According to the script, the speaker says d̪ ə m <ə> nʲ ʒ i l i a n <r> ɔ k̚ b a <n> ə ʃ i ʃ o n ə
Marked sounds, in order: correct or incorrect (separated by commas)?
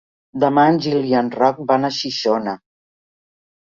incorrect, correct, correct